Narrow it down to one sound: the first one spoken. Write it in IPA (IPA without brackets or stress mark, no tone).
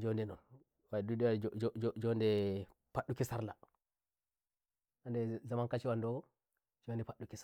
d͡ʒ